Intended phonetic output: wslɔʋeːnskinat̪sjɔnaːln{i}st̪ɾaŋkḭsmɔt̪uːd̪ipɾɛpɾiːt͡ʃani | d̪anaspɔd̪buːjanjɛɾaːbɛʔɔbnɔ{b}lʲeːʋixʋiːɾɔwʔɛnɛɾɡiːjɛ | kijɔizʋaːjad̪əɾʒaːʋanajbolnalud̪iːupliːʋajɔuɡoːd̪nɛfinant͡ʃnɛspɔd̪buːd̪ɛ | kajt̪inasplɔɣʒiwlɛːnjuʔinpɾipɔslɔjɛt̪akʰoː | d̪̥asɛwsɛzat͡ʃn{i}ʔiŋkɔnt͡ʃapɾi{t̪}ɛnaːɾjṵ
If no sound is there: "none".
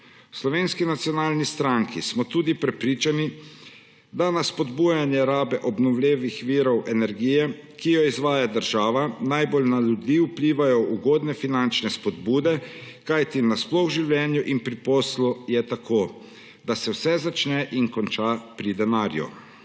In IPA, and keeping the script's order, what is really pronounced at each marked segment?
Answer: i, w, ɛ, d̪

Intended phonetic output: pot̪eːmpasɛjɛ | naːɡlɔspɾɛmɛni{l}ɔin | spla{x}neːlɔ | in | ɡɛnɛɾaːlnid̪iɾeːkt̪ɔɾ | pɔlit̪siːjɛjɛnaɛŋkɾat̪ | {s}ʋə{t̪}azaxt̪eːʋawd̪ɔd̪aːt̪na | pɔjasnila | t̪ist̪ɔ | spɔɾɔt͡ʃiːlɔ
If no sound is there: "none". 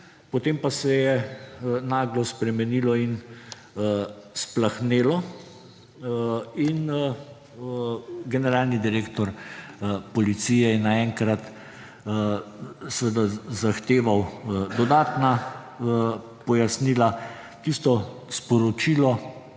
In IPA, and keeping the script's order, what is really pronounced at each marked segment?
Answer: l, x, s, d̪

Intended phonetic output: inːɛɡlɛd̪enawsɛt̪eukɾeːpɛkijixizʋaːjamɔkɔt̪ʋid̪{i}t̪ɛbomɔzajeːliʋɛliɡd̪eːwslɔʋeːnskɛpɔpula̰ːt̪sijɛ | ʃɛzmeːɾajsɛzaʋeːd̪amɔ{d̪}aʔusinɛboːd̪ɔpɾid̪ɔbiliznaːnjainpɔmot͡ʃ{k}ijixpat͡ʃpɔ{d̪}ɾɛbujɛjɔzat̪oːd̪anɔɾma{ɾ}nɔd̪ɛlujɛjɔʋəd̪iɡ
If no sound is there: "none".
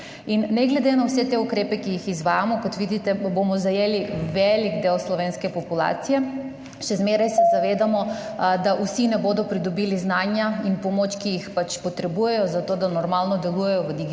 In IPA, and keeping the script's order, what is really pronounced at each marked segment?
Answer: i, d̪, k, t̪, l

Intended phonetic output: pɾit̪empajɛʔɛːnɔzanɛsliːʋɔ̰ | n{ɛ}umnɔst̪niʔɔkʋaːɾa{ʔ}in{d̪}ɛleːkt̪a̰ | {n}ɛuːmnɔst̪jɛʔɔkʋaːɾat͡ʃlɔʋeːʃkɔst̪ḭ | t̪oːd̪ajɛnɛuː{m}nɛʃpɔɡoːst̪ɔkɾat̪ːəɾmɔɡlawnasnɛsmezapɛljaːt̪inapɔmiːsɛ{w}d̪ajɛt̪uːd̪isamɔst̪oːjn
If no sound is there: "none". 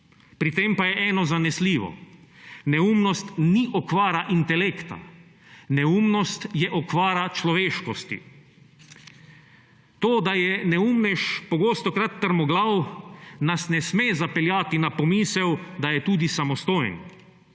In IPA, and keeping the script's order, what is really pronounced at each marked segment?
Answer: ɛ, ʔ, t̪, n, m, w

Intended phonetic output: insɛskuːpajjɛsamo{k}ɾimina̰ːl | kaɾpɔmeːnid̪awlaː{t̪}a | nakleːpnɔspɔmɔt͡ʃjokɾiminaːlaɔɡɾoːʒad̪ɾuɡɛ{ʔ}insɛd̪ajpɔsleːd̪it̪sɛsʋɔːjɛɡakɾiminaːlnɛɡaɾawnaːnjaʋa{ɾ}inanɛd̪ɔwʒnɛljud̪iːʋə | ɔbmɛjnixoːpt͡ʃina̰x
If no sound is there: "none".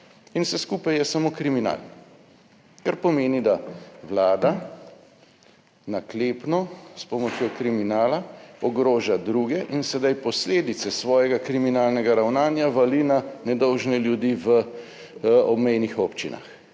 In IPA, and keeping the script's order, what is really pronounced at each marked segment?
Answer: k, d̪, ʔ, l

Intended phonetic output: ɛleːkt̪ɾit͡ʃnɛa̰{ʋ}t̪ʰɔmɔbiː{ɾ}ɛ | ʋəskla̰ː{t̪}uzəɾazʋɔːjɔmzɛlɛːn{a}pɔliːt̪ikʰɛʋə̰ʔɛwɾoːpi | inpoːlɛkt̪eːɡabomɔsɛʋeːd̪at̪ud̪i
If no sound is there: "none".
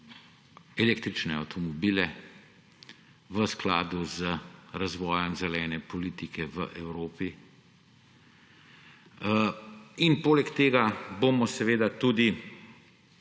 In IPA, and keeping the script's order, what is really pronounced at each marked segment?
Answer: w, l, d̪, ɛ

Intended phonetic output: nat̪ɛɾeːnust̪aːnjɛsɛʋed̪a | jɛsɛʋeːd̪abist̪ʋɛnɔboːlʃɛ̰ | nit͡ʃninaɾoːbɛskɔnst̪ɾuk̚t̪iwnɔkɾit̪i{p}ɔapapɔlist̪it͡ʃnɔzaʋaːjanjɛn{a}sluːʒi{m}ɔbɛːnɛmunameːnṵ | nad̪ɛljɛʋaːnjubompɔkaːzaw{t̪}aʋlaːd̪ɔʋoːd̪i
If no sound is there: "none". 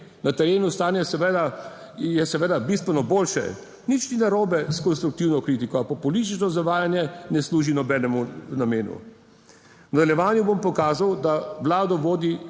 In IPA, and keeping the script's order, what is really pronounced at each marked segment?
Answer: k, ɛ, n, d̪

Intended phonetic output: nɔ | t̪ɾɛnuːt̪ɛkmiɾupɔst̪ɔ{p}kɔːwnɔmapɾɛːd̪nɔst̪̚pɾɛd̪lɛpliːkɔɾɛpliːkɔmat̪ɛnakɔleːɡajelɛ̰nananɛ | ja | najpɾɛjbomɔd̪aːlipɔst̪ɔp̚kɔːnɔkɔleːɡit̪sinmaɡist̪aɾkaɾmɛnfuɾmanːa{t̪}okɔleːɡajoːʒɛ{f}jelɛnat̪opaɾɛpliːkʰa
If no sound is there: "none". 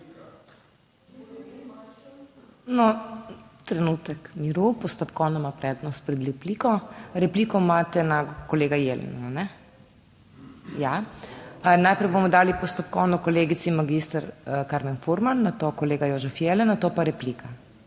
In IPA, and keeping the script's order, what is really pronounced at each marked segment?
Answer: p, t̪, f

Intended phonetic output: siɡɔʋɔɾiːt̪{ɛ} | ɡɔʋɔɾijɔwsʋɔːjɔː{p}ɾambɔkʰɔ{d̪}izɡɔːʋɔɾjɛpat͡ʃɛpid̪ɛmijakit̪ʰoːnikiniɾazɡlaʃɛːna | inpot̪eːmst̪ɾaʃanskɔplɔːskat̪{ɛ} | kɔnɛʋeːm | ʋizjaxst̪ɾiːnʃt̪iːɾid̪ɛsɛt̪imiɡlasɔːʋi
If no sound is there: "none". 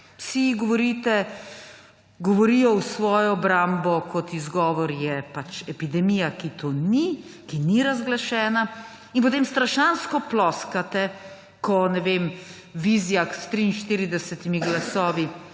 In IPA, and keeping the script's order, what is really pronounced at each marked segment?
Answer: ɛ, b, t̪, ɛ

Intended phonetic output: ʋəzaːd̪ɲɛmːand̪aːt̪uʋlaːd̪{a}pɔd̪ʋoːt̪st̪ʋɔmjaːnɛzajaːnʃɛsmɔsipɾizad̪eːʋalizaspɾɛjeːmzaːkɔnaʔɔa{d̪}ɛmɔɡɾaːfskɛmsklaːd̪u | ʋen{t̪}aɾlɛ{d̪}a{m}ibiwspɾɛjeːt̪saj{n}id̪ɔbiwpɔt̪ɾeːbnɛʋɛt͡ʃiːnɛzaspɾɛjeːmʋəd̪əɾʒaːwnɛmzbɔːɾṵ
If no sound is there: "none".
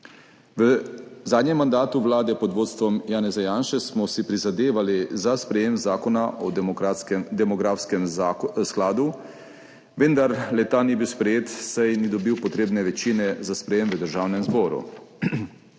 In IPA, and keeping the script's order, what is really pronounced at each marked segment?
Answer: ɛ, d̪, d̪, t̪, n, n

